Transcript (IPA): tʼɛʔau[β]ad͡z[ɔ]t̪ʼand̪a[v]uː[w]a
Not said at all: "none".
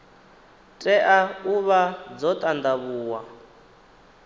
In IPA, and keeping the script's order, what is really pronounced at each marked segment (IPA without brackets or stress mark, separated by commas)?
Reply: β, ɔ, β, w